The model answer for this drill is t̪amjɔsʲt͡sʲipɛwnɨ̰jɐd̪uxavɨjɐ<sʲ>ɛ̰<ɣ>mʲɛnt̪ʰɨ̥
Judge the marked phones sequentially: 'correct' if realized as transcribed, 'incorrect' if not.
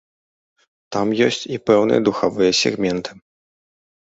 correct, correct

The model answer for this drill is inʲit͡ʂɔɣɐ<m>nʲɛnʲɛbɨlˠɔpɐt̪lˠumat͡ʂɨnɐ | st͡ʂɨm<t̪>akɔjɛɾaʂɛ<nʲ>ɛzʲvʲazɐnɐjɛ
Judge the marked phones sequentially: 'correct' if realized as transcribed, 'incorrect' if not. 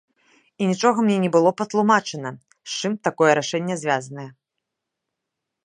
correct, correct, incorrect: nʲː

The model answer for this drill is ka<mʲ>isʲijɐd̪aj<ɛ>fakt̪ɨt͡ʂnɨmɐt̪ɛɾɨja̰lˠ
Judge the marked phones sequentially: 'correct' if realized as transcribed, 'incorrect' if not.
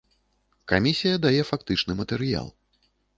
correct, correct

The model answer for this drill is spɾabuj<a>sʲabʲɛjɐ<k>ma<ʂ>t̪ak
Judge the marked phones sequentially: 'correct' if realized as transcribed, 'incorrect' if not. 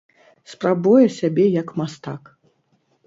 incorrect: ɛ, correct, incorrect: s

